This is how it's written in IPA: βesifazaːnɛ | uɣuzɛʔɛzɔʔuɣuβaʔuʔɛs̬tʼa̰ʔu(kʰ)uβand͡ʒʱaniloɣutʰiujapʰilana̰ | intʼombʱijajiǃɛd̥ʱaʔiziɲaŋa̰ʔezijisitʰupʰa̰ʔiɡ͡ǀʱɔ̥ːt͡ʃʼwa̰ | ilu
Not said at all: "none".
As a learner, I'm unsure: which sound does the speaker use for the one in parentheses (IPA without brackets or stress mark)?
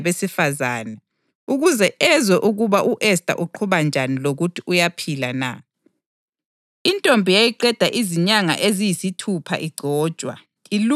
ǃʰ